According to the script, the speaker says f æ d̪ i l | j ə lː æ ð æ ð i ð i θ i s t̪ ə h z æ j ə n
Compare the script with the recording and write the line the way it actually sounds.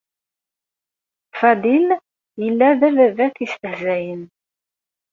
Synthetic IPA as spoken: f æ d̪ i l | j ə lː æ ð æ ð æ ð æ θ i s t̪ ə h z æ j ə n